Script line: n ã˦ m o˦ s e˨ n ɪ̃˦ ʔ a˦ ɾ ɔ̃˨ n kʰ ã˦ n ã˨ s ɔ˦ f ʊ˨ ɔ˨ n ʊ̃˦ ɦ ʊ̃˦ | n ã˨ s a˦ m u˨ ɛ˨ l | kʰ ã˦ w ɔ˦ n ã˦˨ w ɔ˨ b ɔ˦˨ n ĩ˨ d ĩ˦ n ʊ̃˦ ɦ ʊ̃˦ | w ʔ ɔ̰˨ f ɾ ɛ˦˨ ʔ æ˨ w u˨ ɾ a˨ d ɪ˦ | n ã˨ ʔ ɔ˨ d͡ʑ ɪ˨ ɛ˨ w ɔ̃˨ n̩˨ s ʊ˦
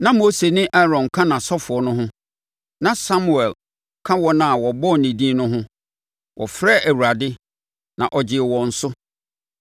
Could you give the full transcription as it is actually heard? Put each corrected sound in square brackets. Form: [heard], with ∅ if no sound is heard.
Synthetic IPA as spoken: n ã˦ m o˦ s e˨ n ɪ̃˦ ʔ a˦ ɾ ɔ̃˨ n kʰ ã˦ n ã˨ s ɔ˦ f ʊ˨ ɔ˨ n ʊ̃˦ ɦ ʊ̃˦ | n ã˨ s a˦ m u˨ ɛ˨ l | kʰ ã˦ w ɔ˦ n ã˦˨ w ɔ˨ b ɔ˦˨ n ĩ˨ d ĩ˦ n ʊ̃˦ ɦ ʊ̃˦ | w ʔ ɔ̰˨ f ɾ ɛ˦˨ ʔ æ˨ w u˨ ɾ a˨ d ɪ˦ | n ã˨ ʔ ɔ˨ d͡ʑ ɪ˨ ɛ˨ w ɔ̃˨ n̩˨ s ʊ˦